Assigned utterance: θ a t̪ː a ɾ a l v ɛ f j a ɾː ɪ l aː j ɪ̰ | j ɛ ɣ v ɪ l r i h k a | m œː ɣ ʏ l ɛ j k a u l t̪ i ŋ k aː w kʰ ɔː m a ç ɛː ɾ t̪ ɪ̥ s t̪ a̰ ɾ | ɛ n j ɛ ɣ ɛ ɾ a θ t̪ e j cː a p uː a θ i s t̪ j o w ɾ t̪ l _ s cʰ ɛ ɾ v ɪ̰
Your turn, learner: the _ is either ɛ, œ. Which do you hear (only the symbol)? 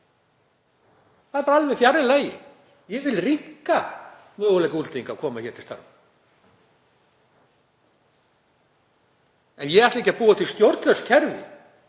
œ